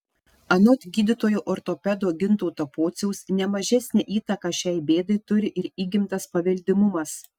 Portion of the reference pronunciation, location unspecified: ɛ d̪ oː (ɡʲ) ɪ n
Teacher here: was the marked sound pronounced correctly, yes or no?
yes